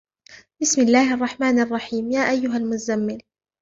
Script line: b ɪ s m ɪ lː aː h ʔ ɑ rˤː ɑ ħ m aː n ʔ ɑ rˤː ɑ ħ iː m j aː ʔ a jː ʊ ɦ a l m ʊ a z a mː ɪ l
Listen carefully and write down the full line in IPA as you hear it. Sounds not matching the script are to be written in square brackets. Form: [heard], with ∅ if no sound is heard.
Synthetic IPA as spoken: b ɪ s m ɪ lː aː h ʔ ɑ rˤː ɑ ħ m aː n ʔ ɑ rˤː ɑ ħ iː m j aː ʔ a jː ʊ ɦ a l m ʊ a z a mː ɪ l